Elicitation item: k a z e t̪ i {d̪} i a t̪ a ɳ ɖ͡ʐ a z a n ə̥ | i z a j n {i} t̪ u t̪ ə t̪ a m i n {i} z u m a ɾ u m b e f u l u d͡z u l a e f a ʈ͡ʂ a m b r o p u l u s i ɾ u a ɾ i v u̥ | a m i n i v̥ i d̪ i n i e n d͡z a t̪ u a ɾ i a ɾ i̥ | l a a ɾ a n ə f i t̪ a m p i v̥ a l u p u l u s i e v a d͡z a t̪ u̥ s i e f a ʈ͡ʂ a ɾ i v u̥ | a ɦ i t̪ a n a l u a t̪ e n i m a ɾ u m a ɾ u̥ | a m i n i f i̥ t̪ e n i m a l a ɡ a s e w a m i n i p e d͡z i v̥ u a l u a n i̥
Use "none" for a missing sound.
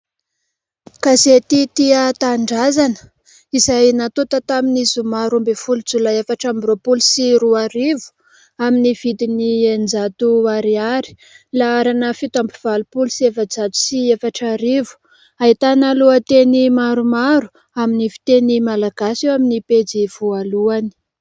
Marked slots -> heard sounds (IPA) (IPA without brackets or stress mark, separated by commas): t̪, a, i